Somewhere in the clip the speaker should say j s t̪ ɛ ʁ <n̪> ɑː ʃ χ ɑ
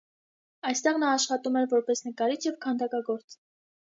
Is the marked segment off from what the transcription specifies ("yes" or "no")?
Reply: no